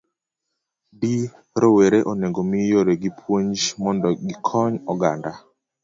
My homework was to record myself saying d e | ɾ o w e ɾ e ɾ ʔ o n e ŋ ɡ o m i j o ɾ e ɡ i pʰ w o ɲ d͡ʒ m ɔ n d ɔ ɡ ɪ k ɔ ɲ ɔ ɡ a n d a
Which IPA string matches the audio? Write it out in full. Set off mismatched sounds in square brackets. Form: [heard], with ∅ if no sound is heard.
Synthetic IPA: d [i] | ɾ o w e ɾ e [∅] ʔ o n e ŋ ɡ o m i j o ɾ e ɡ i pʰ w o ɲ d͡ʒ m ɔ n d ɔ ɡ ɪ [kʰ] ɔ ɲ ɔ ɡ a n d a